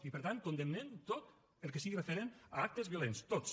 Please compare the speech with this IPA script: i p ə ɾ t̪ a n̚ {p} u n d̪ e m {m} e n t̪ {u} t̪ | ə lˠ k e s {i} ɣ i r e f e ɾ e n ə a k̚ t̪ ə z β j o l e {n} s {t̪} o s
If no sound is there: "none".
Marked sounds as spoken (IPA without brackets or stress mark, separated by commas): k, n, o, i, n, t̪